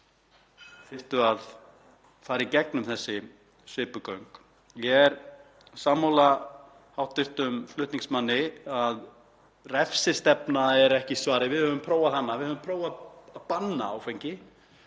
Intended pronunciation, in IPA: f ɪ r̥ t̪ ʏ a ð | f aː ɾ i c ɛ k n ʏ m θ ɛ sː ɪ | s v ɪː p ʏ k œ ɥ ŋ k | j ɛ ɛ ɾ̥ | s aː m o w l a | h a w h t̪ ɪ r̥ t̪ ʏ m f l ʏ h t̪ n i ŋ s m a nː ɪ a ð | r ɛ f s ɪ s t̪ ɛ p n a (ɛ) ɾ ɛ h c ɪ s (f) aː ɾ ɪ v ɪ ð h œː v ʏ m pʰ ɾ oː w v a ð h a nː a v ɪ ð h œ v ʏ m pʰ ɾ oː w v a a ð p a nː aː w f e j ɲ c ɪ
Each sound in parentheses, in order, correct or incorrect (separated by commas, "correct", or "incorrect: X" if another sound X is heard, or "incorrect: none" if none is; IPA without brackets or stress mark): correct, incorrect: v